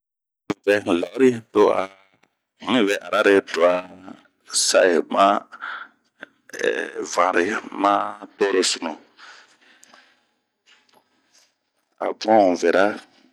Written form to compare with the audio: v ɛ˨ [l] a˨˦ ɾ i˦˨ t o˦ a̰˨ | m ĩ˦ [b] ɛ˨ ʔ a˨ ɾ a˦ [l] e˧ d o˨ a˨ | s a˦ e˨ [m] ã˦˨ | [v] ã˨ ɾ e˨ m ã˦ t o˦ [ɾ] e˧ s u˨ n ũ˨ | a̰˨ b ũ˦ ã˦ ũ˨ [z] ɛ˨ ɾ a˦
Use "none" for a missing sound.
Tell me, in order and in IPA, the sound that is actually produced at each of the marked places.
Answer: l, v, ɾ, m, v, ɾ, v

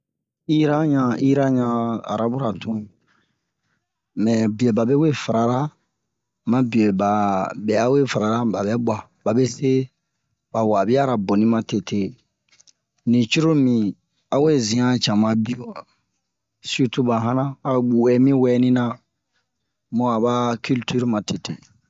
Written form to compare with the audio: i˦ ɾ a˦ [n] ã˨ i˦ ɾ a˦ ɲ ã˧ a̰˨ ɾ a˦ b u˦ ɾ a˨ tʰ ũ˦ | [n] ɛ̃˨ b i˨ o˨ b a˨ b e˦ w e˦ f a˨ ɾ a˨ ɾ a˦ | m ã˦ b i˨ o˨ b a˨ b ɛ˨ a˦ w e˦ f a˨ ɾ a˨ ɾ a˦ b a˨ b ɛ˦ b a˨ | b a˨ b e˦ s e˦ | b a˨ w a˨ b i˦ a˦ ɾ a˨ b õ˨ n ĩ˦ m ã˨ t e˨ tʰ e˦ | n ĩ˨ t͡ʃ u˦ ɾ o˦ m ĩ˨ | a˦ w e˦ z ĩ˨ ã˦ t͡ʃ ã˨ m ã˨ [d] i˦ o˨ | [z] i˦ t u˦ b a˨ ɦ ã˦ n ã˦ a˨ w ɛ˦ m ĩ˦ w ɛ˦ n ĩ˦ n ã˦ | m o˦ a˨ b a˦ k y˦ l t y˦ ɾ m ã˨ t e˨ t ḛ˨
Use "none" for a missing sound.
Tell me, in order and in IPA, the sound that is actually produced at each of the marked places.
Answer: ɲ, m, b, s

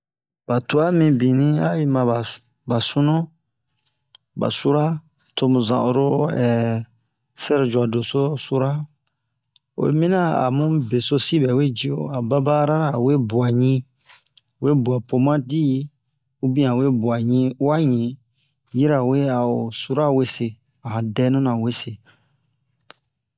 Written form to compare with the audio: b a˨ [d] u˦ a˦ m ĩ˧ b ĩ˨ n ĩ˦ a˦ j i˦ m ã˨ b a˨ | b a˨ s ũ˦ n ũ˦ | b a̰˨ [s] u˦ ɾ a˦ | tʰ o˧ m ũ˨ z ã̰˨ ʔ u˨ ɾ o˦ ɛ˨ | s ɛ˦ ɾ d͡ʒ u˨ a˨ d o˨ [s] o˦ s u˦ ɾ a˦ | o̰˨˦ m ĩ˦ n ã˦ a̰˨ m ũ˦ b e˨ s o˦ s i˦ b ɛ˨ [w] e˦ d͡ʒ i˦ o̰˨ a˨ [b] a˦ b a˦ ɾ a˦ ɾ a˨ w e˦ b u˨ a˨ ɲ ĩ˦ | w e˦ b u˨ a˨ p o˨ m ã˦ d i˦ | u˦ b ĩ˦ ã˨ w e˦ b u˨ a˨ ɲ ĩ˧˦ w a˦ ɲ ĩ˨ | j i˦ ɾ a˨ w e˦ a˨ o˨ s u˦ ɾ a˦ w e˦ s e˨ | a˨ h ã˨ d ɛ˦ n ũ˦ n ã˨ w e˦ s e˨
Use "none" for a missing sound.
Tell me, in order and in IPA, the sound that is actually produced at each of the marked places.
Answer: t, s, s, w, b

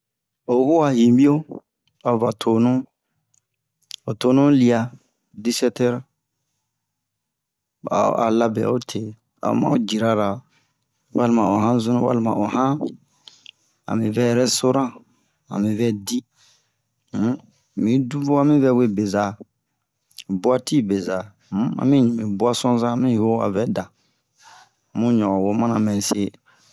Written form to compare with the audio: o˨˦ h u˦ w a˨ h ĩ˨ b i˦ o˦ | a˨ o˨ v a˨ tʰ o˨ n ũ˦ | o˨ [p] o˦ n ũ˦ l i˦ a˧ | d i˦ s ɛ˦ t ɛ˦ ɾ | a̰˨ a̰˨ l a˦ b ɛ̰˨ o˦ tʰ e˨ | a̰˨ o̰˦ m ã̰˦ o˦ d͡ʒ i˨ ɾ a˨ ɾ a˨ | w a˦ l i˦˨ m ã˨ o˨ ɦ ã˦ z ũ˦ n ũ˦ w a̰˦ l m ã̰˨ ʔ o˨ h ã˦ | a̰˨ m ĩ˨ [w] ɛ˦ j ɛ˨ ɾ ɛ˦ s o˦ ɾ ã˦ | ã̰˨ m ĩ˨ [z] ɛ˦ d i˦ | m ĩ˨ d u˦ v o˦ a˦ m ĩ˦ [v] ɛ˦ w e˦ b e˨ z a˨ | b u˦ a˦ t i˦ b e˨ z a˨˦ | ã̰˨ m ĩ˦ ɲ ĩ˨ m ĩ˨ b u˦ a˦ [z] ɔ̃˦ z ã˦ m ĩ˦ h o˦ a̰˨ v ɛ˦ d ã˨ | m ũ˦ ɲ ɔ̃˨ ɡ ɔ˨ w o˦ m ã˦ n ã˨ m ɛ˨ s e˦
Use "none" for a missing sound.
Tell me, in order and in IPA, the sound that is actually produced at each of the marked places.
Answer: t, v, v, v, s

